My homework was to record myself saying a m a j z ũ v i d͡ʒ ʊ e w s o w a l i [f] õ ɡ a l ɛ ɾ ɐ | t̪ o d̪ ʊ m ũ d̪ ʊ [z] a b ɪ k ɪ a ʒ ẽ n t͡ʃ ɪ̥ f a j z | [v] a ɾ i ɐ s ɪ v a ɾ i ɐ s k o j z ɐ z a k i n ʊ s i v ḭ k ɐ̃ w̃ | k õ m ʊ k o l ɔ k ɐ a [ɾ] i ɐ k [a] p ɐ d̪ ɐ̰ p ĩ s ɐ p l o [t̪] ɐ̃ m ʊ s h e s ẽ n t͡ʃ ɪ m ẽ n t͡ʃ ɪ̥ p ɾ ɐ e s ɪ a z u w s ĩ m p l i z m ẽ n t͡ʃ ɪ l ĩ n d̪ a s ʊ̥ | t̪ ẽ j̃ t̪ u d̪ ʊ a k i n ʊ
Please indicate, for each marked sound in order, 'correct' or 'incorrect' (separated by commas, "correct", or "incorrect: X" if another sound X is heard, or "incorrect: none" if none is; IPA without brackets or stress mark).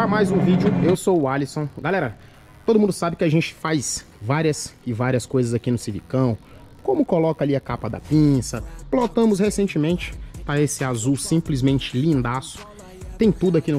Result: incorrect: s, incorrect: s, correct, incorrect: l, correct, correct